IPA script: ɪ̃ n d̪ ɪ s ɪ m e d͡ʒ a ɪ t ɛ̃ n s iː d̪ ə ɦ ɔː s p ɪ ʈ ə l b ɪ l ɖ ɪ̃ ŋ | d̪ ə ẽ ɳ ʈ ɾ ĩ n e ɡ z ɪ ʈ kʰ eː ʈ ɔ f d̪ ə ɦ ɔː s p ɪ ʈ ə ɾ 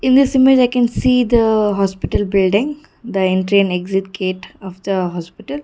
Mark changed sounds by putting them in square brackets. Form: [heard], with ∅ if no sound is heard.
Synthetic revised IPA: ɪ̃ n d̪ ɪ s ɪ m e d͡ʒ a ɪ [k] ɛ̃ n s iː d̪ ə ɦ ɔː s p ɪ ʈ ə l b ɪ l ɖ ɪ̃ ŋ | d̪ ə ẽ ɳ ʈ ɾ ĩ n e ɡ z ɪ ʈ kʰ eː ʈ ɔ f d̪ ə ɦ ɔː s p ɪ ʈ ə [l]